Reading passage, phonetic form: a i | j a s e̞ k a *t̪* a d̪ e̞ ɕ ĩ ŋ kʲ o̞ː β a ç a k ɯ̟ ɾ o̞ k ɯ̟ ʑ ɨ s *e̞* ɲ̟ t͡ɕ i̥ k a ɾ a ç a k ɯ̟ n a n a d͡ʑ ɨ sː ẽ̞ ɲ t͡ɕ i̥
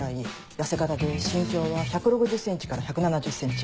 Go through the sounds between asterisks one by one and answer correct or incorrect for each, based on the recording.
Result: correct, incorrect: ẽ̞

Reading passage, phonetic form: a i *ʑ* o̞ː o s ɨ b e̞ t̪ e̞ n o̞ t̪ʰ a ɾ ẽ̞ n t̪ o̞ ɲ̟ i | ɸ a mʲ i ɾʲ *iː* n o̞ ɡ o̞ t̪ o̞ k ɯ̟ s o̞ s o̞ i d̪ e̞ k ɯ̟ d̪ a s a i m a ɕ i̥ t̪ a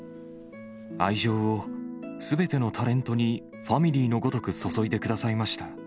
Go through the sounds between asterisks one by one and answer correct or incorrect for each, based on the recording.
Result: correct, correct

